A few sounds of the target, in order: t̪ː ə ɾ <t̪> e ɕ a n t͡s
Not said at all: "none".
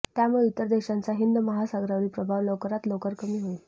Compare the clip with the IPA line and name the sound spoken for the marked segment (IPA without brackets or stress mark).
d̪